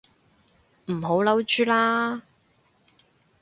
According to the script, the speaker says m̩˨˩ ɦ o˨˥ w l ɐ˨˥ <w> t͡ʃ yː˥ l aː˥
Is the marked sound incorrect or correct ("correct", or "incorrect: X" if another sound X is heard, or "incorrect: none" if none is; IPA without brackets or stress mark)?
correct